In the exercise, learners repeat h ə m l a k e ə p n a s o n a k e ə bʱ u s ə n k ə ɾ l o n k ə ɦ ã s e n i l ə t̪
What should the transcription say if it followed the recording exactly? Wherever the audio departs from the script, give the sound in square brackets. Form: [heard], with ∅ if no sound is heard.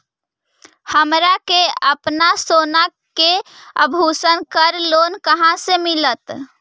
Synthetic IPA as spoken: h ə m [ɾ] a k e ə p n a s o n a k e ə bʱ u s ə n k ə ɾ l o n k ə ɦ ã s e [m] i l ə t̪